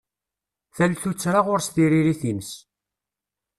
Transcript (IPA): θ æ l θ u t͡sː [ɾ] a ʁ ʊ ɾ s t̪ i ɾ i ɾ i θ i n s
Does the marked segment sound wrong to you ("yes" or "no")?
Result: no